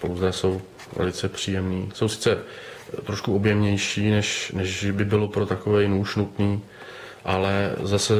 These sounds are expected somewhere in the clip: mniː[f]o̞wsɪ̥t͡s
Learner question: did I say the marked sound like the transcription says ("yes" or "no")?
no